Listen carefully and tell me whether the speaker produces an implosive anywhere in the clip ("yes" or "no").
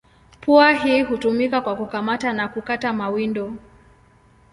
no